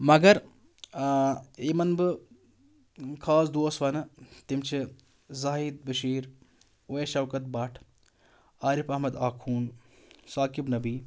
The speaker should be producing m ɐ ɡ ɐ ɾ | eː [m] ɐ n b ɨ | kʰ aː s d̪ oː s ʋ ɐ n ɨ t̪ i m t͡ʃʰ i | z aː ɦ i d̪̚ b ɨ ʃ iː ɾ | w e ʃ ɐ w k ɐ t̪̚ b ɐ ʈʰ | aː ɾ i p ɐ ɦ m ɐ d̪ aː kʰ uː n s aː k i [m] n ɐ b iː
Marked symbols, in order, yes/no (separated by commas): yes, no